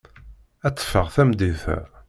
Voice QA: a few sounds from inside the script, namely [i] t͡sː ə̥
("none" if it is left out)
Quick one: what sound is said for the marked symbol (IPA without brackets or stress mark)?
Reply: æ